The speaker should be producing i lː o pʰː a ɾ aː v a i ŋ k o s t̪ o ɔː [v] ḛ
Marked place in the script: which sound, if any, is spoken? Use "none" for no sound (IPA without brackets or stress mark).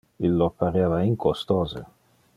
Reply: z